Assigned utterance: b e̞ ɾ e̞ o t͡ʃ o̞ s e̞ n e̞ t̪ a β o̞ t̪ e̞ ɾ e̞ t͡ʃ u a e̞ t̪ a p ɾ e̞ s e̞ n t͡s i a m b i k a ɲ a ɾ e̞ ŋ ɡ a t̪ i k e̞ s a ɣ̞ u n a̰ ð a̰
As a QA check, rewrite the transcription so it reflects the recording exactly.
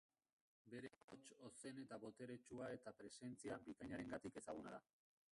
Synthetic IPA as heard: b e̞ ɾ e̞ o t͡ʃ o̞ s e̞ n e̞ t̪ a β o̞ t̪ e̞ ɾ e̞ t͡ʃ u a e̞ t̪ a p ɾ e̞ s e̞ n t͡s i a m b i k a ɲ a ɾ e̞ ŋ ɡ a t̪ i k e̞ s a ɣ̞ u n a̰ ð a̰